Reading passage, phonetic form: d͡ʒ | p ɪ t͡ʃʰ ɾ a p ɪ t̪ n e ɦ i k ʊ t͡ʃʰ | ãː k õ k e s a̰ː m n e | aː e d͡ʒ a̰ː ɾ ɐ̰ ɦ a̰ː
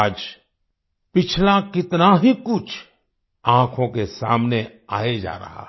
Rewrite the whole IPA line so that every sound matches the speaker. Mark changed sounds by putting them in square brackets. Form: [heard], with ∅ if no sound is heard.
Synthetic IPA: d͡ʒ | p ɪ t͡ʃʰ [l] a [k] ɪ t̪ n [a] ɦ i k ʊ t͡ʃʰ | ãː [kʰ] õ k e s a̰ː m n e | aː e d͡ʒ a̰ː ɾ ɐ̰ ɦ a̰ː